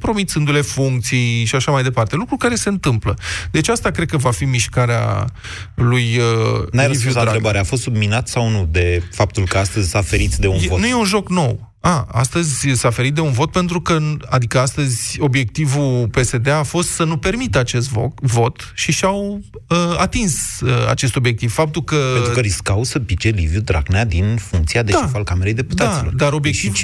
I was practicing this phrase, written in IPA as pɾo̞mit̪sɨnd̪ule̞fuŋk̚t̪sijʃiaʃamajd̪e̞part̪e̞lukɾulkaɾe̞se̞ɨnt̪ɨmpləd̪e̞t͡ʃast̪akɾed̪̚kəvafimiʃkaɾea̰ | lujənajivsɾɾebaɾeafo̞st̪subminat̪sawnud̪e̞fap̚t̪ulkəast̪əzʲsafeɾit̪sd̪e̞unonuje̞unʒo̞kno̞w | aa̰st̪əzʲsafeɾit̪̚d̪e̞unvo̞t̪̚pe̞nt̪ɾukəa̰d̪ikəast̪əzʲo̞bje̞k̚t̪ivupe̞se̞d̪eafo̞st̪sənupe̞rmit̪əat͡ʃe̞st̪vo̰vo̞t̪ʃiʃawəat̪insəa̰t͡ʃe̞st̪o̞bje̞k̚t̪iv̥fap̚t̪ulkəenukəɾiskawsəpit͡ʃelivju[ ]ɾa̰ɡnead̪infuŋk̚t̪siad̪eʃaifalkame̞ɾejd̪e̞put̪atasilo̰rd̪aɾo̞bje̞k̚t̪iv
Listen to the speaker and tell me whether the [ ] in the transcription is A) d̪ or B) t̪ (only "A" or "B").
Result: A